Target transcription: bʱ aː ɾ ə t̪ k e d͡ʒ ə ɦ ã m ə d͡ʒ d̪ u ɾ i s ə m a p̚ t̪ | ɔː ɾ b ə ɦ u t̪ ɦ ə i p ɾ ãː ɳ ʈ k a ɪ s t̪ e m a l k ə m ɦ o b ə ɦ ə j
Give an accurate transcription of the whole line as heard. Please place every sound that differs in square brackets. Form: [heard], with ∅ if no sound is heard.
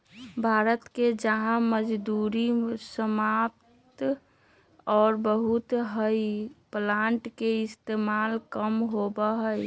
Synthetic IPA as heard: bʱ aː ɾ ə t̪ k e d͡ʒ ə ɦ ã m ə d͡ʒ d̪ u ɾ i s ə m a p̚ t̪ | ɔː ɾ b ə ɦ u t̪ ɦ ə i p [l] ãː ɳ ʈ k [e] ɪ s t̪ e m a l k ə m ɦ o b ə ɦ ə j